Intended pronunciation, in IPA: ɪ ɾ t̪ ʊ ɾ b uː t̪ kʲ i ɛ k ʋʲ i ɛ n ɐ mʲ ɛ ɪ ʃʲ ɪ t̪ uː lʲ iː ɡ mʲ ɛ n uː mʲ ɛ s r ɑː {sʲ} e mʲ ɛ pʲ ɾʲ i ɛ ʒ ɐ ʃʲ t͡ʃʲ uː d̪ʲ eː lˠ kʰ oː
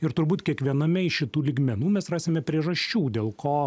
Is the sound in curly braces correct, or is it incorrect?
correct